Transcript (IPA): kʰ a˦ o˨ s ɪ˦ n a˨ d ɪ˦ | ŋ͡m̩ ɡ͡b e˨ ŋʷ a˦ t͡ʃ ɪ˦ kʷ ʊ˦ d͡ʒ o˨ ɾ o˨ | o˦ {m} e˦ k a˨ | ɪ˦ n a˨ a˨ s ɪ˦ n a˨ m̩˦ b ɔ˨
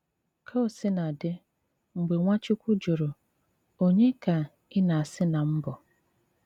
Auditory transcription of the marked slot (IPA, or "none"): ɲ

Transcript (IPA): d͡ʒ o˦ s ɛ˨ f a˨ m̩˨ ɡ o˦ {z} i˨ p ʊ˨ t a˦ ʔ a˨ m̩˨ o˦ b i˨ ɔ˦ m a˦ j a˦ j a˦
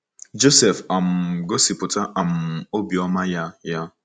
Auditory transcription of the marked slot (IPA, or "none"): s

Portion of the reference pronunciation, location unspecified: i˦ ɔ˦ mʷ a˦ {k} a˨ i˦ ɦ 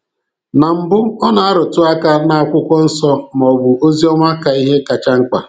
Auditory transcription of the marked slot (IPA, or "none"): k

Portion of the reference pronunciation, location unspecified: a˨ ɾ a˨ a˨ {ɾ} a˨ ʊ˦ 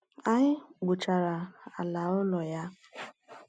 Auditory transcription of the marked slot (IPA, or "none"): l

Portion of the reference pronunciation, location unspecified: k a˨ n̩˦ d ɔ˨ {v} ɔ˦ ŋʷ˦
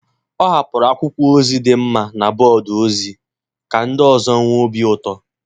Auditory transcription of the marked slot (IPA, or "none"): z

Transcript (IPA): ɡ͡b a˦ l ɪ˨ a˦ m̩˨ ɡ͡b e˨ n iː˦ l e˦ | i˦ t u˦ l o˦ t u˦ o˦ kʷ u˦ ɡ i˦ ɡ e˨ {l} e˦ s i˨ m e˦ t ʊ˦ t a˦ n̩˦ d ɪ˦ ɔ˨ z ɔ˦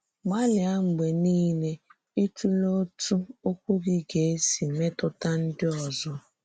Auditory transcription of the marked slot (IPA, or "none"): none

